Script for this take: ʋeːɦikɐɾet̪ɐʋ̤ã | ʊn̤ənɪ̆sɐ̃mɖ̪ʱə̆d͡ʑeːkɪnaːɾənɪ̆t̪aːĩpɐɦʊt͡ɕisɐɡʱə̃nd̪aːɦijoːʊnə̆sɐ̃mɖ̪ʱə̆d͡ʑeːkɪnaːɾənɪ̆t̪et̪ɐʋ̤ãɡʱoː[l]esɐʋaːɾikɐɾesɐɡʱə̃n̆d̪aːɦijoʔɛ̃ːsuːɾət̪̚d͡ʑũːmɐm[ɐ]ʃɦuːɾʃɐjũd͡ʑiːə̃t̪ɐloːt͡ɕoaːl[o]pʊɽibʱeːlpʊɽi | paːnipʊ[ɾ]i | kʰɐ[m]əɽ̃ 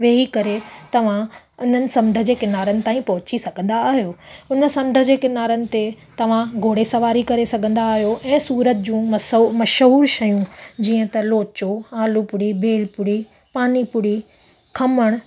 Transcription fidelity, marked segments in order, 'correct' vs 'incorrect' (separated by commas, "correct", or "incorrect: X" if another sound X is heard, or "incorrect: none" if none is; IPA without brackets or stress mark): incorrect: ɽ, correct, incorrect: u, incorrect: ɽ, correct